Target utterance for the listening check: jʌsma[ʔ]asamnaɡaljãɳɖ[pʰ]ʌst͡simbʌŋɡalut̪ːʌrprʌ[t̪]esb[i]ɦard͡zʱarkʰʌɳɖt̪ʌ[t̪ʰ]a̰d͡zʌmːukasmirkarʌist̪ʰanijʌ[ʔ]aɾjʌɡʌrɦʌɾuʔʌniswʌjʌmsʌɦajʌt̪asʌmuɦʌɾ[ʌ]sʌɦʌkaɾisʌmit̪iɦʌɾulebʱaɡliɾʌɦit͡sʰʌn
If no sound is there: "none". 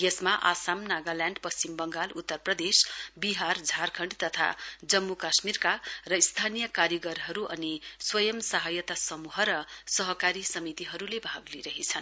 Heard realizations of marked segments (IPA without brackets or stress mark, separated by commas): ʔ, p, d̪, i, t̪ʰ, k, ʌ